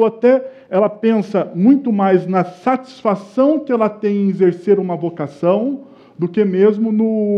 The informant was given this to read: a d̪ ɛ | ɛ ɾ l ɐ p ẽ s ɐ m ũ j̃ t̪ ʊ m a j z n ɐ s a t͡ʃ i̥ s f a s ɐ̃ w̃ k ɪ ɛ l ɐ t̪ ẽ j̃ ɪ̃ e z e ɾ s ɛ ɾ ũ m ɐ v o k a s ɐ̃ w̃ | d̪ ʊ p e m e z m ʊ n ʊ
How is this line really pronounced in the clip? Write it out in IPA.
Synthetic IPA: a t̪ ɛ | ɛ l ɐ p ẽ s ɐ m ũ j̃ t̪ ʊ m a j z n ɐ s a t͡ʃ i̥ s f a s ɐ̃ w̃ k ɪ ɛ l ɐ t̪ ẽ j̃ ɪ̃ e z e ɾ s e ɾ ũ m ɐ v o k a s ɐ̃ w̃ | d̪ ʊ k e m e z m ʊ n ʊ